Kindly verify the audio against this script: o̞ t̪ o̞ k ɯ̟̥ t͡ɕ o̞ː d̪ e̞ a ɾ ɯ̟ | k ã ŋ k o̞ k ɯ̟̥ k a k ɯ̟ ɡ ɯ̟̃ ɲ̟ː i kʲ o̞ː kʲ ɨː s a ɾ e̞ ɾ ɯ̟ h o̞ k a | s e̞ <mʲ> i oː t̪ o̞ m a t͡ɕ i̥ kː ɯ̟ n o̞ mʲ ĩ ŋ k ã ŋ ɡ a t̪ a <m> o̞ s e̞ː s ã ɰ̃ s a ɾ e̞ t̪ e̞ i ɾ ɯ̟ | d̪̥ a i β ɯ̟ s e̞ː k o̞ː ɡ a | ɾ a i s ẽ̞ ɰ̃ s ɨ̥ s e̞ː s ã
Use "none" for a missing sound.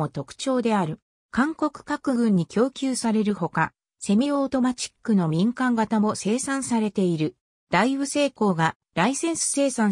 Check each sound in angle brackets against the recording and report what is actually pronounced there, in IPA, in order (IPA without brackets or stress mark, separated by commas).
mʲ, m